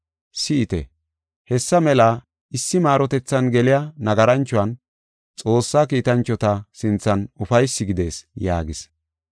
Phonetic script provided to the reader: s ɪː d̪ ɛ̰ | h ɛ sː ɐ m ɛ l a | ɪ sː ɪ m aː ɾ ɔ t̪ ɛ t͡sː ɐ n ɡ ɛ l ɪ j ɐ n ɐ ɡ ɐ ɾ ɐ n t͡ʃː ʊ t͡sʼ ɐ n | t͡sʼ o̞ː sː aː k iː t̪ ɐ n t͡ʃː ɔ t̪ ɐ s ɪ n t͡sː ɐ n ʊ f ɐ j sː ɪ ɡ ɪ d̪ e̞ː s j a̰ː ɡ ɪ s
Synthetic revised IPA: s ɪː t̪ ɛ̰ | h ɛ sː ɐ m ɛ l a | ɪ sː ɪ m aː ɾ ɔ t̪ ɛ t͡sː ɐ n ɡ ɛ l ɪ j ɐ n ɐ ɡ ɐ ɾ ɐ n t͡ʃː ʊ ɐ n | t͡sʼ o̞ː sː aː k iː t̪ ɐ n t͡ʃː ɔ t̪ ɐ s ɪ n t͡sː ɐ n ʊ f ɐ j sː ɪ ɡ ɪ d̪ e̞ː s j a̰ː ɡ ɪ s